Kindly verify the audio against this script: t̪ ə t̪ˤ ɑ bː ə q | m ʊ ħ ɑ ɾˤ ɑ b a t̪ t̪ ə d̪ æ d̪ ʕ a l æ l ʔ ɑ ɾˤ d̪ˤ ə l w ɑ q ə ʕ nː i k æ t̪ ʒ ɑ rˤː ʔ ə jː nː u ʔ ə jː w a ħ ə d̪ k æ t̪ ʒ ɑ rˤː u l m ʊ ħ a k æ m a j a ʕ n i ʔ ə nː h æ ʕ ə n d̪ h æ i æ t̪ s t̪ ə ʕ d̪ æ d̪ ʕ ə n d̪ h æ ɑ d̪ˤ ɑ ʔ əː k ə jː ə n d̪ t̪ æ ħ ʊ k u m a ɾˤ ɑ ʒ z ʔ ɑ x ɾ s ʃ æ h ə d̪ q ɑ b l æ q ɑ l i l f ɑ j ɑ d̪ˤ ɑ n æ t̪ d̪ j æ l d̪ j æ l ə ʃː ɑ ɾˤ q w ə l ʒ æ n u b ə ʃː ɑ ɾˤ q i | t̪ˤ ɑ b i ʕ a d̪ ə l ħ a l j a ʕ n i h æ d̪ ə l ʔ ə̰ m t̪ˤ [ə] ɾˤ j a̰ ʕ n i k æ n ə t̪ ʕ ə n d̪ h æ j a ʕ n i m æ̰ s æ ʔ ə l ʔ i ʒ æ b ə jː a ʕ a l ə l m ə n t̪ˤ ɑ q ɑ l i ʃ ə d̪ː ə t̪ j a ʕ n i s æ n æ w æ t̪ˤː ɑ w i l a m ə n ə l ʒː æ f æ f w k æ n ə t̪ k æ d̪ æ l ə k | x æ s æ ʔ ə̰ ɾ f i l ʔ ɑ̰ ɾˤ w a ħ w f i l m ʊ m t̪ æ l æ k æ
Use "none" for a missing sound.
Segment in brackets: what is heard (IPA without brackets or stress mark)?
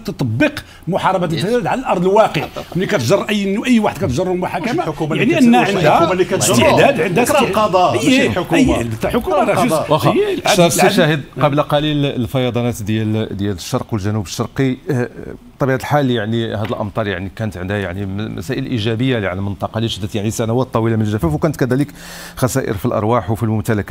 ɑ